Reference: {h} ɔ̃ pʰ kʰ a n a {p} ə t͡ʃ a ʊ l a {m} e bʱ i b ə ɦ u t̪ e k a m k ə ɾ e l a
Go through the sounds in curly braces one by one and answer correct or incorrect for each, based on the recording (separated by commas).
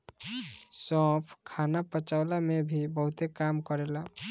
incorrect, correct, correct